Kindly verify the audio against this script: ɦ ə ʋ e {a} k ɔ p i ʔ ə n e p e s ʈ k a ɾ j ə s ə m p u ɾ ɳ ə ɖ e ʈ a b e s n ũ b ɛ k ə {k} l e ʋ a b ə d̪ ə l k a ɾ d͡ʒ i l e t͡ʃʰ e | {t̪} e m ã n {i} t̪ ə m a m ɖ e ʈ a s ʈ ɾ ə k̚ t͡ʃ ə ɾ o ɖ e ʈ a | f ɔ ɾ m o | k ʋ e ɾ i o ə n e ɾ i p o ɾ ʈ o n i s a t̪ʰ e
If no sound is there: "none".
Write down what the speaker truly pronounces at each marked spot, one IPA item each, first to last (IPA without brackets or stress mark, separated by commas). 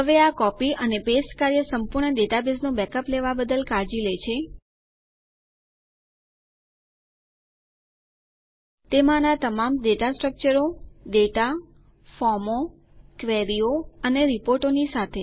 a, p, t̪, a